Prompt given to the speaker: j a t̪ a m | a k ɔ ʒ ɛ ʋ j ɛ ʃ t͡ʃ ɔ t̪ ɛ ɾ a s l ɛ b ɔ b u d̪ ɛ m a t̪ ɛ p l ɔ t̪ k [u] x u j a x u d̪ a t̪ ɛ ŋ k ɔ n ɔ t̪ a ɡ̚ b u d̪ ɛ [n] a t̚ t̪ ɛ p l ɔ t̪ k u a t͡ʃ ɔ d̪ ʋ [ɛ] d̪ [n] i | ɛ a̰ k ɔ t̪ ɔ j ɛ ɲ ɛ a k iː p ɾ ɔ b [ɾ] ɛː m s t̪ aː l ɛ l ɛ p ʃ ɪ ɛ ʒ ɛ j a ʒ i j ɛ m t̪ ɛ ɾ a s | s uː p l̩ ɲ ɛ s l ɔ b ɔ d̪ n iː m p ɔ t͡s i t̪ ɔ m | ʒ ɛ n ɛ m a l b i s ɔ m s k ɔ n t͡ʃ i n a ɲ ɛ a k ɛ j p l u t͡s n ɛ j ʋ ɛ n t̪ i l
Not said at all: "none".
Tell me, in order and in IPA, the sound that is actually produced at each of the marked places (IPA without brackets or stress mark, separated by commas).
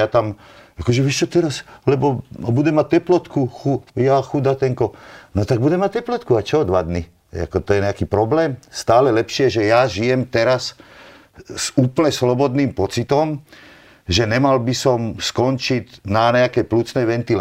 u, m, a, n, l